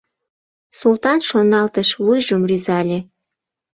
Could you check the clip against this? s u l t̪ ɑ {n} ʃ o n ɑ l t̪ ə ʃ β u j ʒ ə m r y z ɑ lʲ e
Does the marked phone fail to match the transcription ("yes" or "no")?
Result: no